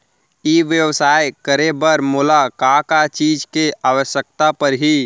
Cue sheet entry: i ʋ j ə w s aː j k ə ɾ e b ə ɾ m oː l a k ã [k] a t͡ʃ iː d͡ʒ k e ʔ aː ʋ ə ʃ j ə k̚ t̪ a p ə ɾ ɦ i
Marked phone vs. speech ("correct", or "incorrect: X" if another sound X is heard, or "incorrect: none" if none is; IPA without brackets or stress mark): correct